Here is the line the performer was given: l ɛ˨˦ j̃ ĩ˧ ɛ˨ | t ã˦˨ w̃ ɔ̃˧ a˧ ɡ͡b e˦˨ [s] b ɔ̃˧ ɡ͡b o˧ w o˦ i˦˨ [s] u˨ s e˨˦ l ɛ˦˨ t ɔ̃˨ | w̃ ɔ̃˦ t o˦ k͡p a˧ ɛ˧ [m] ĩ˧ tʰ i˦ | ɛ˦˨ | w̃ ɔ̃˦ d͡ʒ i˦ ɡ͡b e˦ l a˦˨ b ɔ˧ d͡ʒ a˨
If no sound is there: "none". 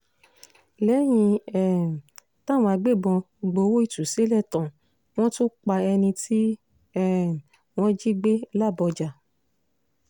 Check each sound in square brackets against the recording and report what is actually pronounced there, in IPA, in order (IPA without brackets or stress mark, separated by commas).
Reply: none, t, n